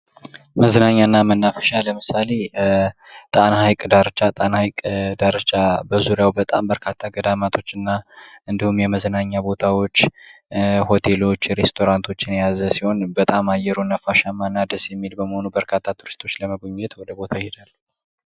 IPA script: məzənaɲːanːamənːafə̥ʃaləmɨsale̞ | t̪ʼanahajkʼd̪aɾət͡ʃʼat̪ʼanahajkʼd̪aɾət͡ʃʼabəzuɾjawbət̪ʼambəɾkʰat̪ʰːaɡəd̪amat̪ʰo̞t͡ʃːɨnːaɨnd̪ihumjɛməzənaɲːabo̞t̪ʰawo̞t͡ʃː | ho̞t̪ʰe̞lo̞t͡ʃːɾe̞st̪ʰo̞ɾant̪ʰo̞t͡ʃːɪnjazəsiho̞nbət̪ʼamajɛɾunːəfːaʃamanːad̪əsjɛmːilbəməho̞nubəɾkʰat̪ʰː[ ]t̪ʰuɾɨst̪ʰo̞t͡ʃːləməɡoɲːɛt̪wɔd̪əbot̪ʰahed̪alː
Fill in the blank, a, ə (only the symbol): a